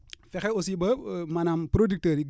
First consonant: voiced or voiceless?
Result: voiceless